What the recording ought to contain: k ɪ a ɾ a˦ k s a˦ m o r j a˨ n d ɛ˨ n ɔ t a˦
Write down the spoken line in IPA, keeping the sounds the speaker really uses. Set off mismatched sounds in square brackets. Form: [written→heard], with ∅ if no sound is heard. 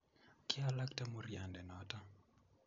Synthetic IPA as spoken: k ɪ a [ɾ→l] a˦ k [s→t] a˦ m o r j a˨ n d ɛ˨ n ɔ t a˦